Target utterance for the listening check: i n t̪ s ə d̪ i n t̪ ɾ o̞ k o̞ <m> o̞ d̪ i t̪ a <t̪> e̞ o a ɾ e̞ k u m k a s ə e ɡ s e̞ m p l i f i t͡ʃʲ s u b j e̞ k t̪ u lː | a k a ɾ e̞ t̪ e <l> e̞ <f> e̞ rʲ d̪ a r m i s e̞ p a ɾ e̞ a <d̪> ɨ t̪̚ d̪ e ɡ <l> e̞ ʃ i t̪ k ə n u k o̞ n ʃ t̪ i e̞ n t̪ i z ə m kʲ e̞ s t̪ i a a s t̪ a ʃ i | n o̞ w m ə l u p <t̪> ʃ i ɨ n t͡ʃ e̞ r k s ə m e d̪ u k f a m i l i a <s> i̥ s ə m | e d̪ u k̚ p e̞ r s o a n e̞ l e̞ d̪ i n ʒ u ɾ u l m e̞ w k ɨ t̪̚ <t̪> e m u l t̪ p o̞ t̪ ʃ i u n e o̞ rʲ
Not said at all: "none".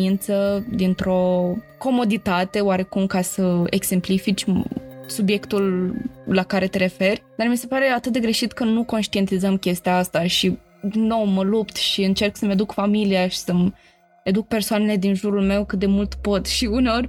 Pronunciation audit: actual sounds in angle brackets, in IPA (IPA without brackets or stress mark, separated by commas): m, t̪, ɾ, f, t̪, ɾ, t̪, ʃ, d̪